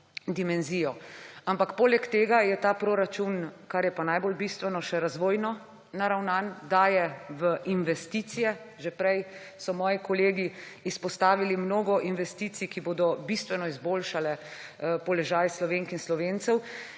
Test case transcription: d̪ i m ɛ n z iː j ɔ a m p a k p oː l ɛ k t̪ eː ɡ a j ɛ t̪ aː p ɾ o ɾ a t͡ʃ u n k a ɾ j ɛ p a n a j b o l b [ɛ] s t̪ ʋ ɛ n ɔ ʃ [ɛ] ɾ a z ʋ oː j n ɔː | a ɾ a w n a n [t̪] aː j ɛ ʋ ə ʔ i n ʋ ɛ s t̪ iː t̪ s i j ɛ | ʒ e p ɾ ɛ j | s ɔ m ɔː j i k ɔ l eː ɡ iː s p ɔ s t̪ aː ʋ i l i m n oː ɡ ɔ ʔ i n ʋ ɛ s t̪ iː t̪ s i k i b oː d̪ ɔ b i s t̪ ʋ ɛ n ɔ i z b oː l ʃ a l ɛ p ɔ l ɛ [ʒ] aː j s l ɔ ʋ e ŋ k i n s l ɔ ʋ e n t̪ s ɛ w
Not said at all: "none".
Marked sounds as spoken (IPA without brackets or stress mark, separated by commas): i, ɛ, d̪, ʒ